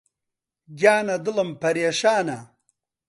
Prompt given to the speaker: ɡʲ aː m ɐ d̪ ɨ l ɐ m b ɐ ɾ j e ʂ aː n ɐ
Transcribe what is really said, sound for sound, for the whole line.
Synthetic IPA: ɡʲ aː n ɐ d̪ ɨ l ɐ m p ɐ ɾ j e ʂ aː n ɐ